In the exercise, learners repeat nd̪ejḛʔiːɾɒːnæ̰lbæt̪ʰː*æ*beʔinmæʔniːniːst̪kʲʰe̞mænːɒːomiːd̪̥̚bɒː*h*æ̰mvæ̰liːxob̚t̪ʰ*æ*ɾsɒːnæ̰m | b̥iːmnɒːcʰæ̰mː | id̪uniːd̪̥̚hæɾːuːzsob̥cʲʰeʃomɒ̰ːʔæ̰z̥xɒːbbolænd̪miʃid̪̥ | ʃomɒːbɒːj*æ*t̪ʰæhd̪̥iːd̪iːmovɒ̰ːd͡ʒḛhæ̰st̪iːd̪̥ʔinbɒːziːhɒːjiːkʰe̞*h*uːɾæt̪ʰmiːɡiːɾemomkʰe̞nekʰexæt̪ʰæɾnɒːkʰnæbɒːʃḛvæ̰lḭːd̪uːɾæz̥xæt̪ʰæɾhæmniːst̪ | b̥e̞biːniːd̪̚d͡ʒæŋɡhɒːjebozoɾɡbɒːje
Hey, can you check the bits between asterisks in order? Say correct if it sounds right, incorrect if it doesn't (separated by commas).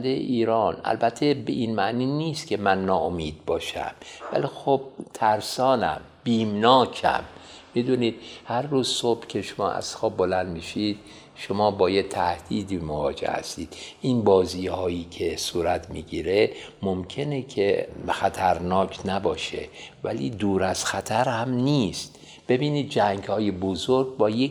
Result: incorrect, incorrect, correct, incorrect, incorrect